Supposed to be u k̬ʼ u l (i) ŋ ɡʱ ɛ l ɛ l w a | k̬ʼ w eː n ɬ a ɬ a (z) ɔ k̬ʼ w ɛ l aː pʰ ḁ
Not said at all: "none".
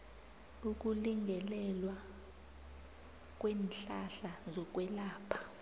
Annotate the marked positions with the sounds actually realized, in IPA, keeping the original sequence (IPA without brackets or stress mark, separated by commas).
i, z